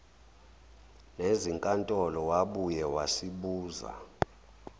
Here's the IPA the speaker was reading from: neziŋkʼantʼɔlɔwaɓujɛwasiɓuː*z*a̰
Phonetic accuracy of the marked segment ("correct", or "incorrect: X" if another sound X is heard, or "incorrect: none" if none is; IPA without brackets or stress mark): correct